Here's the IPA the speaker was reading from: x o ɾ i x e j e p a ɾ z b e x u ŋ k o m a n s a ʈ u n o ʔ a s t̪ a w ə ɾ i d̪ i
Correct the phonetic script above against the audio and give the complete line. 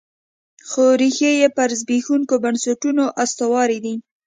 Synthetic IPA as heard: x o ɾ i x e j e p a ɾ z b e x u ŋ k o b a n s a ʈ u n o ʔ a s t̪ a w ɑ ɾ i d̪ i